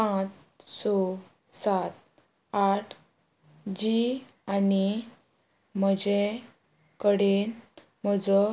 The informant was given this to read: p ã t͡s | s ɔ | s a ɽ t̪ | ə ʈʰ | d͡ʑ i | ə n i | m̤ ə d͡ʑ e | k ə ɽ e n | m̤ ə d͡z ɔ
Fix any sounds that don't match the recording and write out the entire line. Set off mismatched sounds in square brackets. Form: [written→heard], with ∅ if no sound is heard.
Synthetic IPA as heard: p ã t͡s | s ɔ | s a [ɽ→∅] t̪ | [ə→a] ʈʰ | d͡ʑ i | [ə→a] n i | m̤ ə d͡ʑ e | k ə ɽ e n | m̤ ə d͡z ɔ